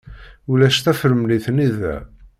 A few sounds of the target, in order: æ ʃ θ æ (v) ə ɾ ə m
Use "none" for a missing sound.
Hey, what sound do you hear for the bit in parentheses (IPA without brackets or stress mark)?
f